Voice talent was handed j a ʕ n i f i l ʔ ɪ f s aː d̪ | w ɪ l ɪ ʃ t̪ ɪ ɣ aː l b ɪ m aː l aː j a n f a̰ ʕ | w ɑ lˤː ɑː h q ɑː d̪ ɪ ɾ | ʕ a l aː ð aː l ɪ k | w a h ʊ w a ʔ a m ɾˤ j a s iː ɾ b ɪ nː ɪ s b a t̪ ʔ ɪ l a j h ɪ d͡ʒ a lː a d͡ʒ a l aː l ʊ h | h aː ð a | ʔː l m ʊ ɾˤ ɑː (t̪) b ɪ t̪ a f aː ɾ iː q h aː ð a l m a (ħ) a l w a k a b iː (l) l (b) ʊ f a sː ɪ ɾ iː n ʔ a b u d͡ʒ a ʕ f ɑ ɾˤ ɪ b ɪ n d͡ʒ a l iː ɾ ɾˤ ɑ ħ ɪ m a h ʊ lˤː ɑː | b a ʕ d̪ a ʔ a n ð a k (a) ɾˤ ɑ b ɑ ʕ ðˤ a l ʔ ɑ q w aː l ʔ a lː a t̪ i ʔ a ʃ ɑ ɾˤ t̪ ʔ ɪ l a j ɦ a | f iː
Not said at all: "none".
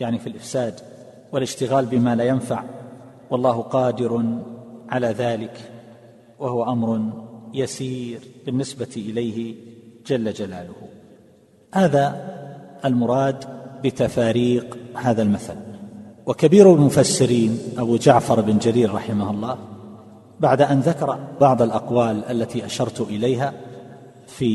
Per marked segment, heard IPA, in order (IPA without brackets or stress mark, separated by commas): d̪, θ, ɾ, m, ɑ